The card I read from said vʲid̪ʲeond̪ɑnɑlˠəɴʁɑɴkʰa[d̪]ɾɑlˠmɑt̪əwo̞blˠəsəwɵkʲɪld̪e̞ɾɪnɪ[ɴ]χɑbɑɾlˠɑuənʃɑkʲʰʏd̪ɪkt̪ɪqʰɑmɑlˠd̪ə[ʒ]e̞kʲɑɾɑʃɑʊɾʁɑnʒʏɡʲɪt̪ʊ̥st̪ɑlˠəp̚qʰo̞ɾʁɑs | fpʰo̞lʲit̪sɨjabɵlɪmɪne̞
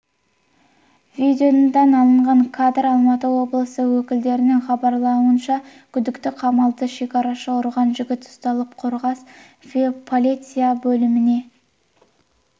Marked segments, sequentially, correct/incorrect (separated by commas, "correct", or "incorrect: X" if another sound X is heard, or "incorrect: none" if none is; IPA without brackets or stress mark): correct, incorrect: ŋ, incorrect: ʃ